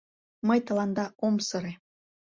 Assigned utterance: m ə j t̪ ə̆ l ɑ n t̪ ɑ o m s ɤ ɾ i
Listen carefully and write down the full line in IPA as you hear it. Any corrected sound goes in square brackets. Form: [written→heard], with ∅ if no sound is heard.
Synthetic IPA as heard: m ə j t̪ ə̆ l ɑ n [t̪→d̪] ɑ o m s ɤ ɾ [i→e]